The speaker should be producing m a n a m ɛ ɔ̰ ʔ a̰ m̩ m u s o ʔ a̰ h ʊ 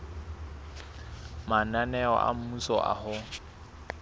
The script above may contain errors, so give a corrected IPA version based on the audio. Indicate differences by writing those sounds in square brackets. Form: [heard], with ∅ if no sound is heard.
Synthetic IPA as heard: m a n a [n] ɛ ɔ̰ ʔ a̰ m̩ m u s [ɔ] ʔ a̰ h ʊ